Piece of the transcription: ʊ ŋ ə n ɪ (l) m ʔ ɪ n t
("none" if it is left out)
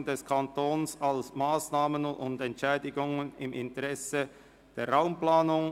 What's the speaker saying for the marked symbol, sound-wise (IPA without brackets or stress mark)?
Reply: none